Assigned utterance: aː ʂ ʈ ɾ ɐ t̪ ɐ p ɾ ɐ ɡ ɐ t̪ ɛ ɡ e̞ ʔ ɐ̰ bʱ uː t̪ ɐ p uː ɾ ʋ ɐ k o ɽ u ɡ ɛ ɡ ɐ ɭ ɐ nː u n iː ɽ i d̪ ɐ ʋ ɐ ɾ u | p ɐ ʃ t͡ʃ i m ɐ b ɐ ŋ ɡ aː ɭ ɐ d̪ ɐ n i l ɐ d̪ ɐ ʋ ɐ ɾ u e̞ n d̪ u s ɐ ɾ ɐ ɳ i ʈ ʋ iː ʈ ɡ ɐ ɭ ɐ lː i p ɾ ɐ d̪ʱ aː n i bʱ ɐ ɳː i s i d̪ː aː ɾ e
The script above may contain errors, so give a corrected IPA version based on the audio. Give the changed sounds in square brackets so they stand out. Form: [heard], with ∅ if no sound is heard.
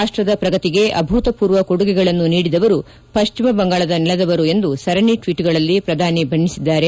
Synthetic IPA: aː ʂ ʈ ɾ ɐ [d̪] ɐ p ɾ ɐ ɡ ɐ t̪ [i] ɡ e̞ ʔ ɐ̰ bʱ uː t̪ ɐ p uː ɾ ʋ ɐ k o ɽ u ɡ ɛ ɡ ɐ ɭ ɐ nː u n iː ɽ i d̪ ɐ ʋ ɐ ɾ u | p ɐ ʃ t͡ʃ i m ɐ b ɐ ŋ ɡ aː ɭ ɐ d̪ ɐ n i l ɐ d̪ ɐ ʋ ɐ ɾ u e̞ n d̪ u s ɐ ɾ ɐ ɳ i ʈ ʋ iː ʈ ɡ ɐ ɭ ɐ lː i p ɾ ɐ d̪ʱ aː n i bʱ ɐ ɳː i s i d̪ː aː ɾ e